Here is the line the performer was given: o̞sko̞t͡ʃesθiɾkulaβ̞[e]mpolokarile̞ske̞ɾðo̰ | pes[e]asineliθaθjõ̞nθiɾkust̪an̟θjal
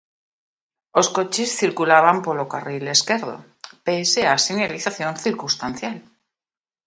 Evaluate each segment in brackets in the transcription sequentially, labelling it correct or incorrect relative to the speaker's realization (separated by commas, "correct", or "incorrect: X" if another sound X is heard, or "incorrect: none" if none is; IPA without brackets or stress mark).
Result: incorrect: a, correct